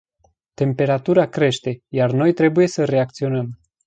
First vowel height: mid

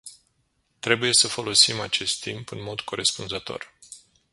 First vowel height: mid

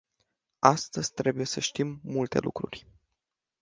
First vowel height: low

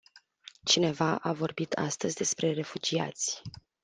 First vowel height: high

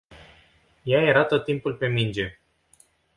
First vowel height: low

